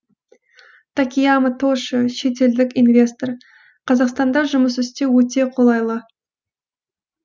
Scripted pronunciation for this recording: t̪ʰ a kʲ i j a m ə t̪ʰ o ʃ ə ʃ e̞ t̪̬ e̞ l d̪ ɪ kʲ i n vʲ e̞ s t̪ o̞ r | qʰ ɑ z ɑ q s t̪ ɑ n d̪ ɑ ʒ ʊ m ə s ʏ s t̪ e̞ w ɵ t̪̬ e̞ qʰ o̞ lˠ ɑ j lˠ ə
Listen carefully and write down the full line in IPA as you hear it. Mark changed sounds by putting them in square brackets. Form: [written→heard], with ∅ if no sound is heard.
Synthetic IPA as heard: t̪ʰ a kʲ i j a m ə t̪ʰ o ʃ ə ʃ e̞ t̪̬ e̞ l d̪ ɪ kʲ i n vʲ e̞ s t̪ o̞ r | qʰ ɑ z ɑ q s t̪ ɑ n d̪ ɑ ʒ ʊ m ə s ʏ s t̪ e̞ w ɵ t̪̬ e̞ qʰ o̞ lˠ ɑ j lˠ ə

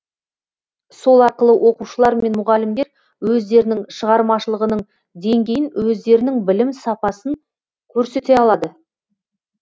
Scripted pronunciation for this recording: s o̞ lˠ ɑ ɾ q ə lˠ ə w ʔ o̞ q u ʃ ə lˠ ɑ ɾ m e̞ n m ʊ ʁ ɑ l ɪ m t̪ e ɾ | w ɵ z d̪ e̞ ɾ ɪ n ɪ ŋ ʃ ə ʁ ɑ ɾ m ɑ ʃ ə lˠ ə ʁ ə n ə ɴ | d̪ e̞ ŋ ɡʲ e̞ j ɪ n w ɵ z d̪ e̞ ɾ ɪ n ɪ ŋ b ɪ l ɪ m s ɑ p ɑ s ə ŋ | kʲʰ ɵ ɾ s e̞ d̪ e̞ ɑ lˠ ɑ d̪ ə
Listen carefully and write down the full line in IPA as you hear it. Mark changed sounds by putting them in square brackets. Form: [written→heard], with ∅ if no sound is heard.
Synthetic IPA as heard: s o̞ lˠ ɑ ɾ q ə lˠ ə w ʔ o̞ q u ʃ ə lˠ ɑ ɾ m e̞ n m ʊ ʁ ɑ l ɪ m [t̪→d̪] e ɾ | w ɵ z d̪ e̞ ɾ ɪ n ɪ ŋ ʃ ə ʁ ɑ ɾ m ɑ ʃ ə lˠ ə ʁ ə n ə ɴ | d̪ e̞ ŋ ɡʲ e̞ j ɪ n w ɵ z d̪ e̞ ɾ ɪ n ɪ ŋ b ɪ l ɪ m s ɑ p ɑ s ə ŋ | kʲʰ ɵ ɾ s e̞ [d̪→t̪] e̞ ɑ lˠ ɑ d̪ ə

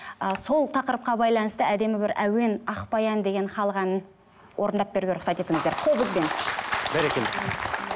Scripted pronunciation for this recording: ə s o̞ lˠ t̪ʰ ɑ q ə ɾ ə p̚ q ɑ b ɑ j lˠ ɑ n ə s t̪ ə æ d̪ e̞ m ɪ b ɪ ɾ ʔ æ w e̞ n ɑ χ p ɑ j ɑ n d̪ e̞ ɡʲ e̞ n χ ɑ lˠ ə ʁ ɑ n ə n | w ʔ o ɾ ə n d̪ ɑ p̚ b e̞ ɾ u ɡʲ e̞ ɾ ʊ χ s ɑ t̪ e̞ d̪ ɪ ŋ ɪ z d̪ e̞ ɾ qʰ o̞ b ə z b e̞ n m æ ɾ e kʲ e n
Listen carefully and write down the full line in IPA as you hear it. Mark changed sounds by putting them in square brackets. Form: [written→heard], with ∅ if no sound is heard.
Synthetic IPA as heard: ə s o̞ lˠ t̪ʰ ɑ q ə ɾ ə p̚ q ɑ b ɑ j lˠ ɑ n ə s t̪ ə æ d̪ e̞ m ɪ b ɪ ɾ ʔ æ w e̞ n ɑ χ p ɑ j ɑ n d̪ e̞ ɡʲ e̞ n χ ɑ lˠ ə ʁ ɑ n ə n | w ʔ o ɾ ə n d̪ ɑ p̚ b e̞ ɾ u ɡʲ e̞ ɾ ʊ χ s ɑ t̪ e̞ [d̪→t̪] ɪ ŋ ɪ z d̪ e̞ ɾ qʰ o̞ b ə z b e̞ n [m→b] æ ɾ e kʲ e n

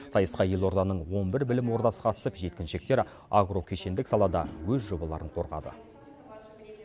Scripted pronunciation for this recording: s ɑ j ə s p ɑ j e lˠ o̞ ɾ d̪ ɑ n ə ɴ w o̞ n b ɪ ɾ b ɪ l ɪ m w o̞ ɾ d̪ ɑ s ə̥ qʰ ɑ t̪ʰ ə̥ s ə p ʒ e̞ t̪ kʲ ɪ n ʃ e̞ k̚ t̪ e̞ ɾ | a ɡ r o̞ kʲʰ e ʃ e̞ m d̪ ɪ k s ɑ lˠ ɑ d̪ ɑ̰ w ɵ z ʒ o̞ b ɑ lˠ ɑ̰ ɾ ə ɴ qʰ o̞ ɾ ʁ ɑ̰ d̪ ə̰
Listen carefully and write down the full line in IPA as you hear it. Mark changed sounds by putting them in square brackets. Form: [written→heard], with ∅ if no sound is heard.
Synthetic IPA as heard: s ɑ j ə s [p→q] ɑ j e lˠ o̞ ɾ d̪ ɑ n ə ɴ w o̞ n b ɪ ɾ b ɪ l ɪ m w o̞ ɾ d̪ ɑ s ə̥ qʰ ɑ [t̪ʰ→t̪] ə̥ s ə p ʒ e̞ t̪ kʲ ɪ n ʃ e̞ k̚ t̪ e̞ ɾ | a ɡ r o̞ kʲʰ e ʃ e̞ [m→n] d̪ ɪ k s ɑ lˠ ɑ d̪ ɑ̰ w ɵ z ʒ o̞ b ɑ lˠ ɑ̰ ɾ ə ɴ qʰ o̞ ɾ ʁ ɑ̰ d̪ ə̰

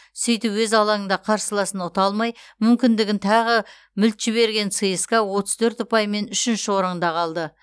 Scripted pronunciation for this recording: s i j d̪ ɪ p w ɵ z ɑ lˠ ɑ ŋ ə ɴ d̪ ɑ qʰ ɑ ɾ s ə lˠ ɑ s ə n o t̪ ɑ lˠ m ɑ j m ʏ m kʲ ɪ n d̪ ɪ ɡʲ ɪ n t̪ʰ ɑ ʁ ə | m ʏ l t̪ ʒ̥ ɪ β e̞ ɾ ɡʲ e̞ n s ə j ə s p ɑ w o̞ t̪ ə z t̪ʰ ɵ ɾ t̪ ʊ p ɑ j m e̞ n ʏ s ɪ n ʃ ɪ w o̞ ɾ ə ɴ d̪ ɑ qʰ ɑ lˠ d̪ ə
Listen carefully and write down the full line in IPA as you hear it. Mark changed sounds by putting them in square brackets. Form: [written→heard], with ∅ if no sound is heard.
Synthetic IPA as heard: s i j [d̪→t̪] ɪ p w ɵ z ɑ lˠ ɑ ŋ ə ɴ d̪ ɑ qʰ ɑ ɾ s ə lˠ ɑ s ə n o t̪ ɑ lˠ m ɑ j m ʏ m kʲ ɪ n d̪ ɪ ɡʲ ɪ n t̪ʰ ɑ ʁ ə | m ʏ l t̪ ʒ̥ ɪ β e̞ ɾ ɡʲ e̞ n s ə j ə s [p→k] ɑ w o̞ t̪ ə z t̪ʰ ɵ ɾ t̪ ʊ p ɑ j m e̞ n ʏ [s→ʃ] ɪ n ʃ ɪ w o̞ ɾ ə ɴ d̪ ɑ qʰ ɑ lˠ d̪ ə

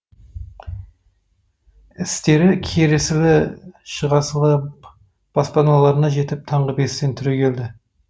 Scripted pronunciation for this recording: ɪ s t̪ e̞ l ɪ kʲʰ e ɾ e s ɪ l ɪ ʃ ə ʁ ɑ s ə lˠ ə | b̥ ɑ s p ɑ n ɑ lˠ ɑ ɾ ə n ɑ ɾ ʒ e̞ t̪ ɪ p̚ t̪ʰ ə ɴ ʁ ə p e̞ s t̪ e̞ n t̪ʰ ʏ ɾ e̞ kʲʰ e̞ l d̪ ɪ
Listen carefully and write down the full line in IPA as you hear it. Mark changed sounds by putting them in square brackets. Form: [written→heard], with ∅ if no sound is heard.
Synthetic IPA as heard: ɪ s t̪ e̞ [l→ɾ] ɪ kʲʰ e ɾ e s ɪ l ɪ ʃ ə ʁ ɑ s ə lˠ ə | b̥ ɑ s p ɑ n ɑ lˠ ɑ ɾ ə n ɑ [ɾ→∅] ʒ e̞ t̪ ɪ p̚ t̪ʰ [ə→ɑ] ɴ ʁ ə [p→b] e̞ s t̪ e̞ n t̪ʰ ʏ ɾ e̞ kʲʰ e̞ l d̪ ɪ

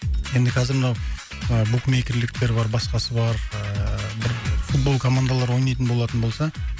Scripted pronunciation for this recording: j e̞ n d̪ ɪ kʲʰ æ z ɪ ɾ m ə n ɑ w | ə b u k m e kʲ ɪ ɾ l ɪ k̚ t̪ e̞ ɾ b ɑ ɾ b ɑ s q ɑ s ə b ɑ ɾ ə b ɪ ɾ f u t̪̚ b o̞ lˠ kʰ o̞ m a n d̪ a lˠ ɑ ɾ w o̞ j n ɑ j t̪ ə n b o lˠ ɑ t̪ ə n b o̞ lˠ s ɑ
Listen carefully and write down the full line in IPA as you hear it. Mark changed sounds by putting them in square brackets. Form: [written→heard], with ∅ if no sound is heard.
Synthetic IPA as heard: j e̞ n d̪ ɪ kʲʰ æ z ɪ ɾ m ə n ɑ w | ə b u k m e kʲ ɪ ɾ l ɪ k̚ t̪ e̞ ɾ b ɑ ɾ b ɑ s q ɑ s ə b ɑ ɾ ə b ɪ ɾ f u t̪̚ b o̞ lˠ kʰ o̞ m a n d̪ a lˠ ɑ ɾ w o̞ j n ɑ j t̪ ə n b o lˠ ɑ t̪ ə n b o̞ lˠ s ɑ

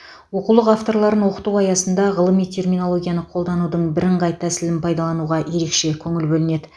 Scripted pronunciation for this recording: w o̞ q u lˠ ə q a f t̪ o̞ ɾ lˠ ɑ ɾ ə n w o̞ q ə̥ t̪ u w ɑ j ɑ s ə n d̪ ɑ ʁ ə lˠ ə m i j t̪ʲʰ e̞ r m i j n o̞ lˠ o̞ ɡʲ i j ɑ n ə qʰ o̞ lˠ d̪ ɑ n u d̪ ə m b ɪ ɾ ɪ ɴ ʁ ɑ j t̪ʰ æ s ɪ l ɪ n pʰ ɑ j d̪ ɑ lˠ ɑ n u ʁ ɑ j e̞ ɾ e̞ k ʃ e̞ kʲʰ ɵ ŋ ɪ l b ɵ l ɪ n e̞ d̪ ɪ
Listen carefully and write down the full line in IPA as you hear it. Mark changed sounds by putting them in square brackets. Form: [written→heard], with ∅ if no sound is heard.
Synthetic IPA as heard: w o̞ q u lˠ ə q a f t̪ o̞ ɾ lˠ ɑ ɾ ə n w o̞ q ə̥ t̪ u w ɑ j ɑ s ə n d̪ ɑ ʁ ə lˠ ə m i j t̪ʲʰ e̞ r m i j n o̞ lˠ o̞ ɡʲ i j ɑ n ə qʰ o̞ lˠ d̪ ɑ n u d̪ ə [m→ɴ] b ɪ ɾ ɪ ɴ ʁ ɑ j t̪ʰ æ s ɪ l ɪ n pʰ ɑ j d̪ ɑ lˠ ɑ n u ʁ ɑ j e̞ ɾ e̞ k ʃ e̞ kʲʰ ɵ ŋ ɪ l b ɵ l ɪ n e̞ d̪ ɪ

